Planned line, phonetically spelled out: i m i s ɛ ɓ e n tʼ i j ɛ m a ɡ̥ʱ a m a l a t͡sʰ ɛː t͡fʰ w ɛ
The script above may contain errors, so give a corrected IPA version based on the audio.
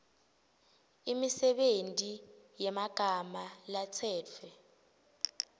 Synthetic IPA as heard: i m i s ɛ ɓ e n tʼ i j ɛ m a ɡ̥ʱ a m a l a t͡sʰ ɛː t͡fʰ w ɛ